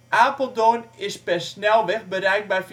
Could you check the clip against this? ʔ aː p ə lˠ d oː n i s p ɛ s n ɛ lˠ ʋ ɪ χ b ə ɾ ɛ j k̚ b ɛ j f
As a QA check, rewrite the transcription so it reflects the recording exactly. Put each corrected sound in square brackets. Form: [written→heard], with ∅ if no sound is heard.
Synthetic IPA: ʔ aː p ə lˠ d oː n [i→ɪ] s p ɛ s n ɛ lˠ ʋ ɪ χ b ə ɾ ɛ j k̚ b ɛ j f